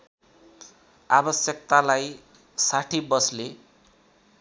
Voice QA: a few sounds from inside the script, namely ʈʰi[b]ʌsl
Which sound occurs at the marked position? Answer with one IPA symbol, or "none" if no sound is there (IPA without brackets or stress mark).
b